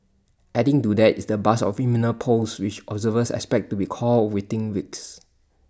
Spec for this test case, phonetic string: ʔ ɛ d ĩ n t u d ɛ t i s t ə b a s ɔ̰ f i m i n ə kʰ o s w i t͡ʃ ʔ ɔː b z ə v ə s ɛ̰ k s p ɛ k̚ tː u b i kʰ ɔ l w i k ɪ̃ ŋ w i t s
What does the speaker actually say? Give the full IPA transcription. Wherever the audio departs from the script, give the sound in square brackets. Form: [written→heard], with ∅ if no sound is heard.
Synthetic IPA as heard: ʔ ɛ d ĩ [n→ŋ] t u d ɛ t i s [t→d] ə b a s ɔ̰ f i m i n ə [kʰ→pʰ] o s w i t͡ʃ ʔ [ɔː→ɔ] b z ə v ə s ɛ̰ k s p ɛ k̚ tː u b i kʰ ɔ l w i [k→t] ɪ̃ ŋ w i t s